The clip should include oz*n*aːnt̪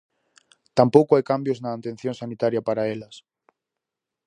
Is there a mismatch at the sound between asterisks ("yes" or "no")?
no